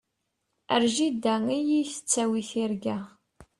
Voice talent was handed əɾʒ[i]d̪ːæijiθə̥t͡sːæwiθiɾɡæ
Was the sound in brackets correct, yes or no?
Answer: yes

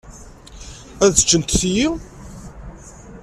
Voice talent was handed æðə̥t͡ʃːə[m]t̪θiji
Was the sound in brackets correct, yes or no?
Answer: no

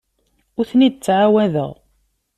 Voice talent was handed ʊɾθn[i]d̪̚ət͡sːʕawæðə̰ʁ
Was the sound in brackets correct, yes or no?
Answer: yes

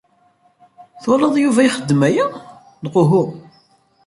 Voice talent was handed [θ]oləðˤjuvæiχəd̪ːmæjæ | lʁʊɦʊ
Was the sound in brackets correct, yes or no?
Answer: yes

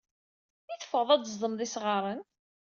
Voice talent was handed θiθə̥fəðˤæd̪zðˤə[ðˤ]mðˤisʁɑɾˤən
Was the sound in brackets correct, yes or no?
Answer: no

